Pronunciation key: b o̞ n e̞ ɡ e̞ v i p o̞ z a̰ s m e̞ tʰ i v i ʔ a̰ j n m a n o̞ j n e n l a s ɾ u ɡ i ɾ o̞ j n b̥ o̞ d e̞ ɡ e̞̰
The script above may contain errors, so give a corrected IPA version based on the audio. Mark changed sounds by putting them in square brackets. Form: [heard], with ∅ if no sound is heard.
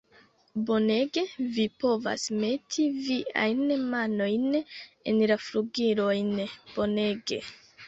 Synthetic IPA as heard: b o̞ n e̞ ɡ e̞ v i p o̞ [v] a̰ s m e̞ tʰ i v i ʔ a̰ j n m a n o̞ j n e n l a [f] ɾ u ɡ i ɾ o̞ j n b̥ o̞ [n] e̞ ɡ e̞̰